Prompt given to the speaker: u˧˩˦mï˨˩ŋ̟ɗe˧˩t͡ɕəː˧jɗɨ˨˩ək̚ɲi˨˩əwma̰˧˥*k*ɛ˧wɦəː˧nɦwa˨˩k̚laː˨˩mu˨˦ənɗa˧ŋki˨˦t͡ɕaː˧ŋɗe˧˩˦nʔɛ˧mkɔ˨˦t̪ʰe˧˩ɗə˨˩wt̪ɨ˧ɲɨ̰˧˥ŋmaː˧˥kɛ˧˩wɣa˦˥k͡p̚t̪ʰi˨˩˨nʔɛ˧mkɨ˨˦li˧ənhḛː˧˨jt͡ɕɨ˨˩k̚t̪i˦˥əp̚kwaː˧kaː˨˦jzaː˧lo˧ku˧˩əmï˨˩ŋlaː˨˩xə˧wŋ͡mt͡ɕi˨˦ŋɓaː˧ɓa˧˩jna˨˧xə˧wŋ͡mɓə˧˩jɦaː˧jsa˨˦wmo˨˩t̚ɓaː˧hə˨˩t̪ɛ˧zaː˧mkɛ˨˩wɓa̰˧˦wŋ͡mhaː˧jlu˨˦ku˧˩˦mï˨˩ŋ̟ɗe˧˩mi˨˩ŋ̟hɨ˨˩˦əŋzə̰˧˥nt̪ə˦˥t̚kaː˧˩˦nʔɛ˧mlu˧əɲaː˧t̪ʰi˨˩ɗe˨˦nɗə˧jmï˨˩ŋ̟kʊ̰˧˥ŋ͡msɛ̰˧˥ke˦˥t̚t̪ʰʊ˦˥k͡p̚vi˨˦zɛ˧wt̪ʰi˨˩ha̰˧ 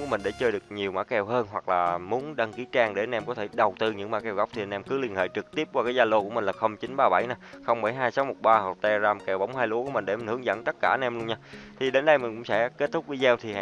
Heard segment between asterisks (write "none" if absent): k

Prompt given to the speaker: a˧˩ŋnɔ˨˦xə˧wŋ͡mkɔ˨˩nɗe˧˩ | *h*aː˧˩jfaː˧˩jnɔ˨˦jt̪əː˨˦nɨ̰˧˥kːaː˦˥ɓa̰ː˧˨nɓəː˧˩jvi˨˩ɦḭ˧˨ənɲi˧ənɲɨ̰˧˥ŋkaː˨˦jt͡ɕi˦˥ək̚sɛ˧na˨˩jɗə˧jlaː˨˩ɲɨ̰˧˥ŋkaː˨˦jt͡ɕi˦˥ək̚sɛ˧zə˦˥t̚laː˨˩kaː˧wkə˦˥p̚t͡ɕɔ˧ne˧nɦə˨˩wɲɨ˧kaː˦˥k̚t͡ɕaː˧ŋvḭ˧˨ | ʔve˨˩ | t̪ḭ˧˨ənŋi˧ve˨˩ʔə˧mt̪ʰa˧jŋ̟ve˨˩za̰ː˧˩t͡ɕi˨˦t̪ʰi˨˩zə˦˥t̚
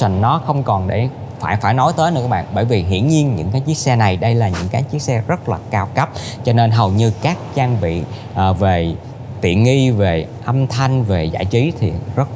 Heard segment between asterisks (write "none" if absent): f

